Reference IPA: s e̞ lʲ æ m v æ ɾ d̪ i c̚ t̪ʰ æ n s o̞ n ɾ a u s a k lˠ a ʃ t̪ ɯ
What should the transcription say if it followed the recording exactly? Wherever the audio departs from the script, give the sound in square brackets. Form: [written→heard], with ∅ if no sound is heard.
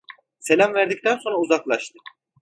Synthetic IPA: s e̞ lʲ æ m v æ ɾ d̪ i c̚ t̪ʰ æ n s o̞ n ɾ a u [s→z] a k lˠ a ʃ t̪ ɯ